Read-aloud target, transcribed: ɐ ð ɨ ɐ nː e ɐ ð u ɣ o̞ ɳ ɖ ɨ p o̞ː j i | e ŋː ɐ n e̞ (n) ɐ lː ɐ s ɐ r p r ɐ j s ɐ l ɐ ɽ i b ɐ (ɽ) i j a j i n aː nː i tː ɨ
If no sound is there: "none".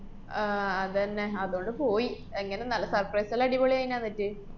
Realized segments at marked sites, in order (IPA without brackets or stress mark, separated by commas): n, ɭ